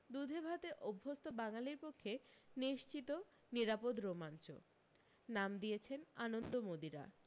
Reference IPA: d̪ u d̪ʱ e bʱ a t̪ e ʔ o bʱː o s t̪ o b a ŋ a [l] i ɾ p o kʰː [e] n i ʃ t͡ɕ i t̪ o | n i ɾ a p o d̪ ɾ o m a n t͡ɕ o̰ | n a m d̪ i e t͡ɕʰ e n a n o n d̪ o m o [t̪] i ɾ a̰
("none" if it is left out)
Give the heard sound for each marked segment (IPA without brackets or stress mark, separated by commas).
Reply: l, e, d̪